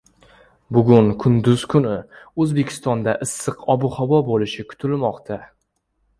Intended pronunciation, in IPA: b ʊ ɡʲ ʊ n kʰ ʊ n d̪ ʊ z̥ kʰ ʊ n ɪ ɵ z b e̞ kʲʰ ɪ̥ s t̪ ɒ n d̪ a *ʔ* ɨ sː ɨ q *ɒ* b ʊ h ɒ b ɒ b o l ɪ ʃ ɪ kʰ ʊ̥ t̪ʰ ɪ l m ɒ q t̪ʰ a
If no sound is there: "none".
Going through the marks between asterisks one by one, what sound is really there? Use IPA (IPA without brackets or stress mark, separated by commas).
ʔ, ɒ